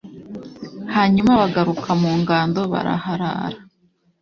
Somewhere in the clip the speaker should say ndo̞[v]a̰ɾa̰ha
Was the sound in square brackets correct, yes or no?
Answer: no